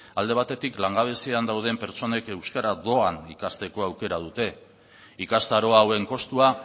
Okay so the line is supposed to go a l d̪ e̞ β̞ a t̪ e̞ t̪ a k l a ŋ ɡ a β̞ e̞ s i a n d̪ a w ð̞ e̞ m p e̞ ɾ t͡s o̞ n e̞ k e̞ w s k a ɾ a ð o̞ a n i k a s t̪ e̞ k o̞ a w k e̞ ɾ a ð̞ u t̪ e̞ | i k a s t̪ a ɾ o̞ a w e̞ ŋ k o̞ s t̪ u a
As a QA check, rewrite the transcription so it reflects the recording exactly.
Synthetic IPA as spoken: a l d̪ e̞ β̞ a t̪ e̞ t̪ i k l a ŋ ɡ a β̞ e̞ s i a n d̪ a w ð̞ e̞ m p e̞ ɾ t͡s o̞ n e̞ k e̞ w s k a ɾ a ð o̞ a n i k a s t̪ e̞ k o̞ a w k e̞ ɾ a ð̞ u t̪ e̞ | i k a s t̪ a ɾ o̞ a w e̞ ŋ k o̞ s t̪ u a